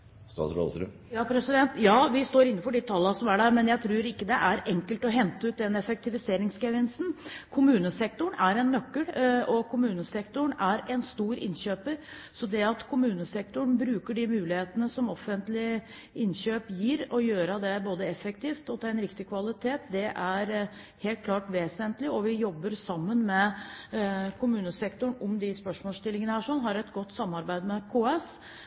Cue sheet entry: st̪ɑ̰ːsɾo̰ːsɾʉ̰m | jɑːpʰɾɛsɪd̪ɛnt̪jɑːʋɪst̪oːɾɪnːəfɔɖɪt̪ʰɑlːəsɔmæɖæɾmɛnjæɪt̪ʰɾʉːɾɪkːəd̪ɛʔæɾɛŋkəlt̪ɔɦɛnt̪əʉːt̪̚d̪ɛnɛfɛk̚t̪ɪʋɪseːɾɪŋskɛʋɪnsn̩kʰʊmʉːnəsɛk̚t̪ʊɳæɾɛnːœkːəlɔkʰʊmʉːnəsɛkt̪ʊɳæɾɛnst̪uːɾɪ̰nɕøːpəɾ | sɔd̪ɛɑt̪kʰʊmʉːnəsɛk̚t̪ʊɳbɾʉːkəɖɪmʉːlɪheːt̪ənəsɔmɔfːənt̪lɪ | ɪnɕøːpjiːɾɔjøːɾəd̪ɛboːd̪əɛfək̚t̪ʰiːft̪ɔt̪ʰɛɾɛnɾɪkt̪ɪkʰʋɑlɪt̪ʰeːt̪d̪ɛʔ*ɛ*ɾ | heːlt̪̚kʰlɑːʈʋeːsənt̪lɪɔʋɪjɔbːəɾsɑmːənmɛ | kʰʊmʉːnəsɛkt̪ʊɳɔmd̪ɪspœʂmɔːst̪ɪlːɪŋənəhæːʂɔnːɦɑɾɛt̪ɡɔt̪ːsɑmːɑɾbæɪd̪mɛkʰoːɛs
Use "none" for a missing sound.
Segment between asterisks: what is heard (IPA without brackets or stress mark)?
æ